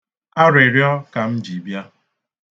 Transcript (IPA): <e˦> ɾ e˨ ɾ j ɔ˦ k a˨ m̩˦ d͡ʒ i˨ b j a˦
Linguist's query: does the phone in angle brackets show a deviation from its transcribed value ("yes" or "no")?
yes